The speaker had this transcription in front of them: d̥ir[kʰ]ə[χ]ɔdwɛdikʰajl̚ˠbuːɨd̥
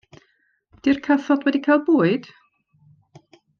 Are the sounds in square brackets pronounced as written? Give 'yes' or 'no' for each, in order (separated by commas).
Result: yes, no